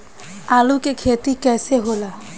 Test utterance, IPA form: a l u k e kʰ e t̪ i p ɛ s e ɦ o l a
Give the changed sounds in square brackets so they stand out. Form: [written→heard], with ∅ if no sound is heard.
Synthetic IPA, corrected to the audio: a l u k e kʰ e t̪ i [p→k] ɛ s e ɦ o l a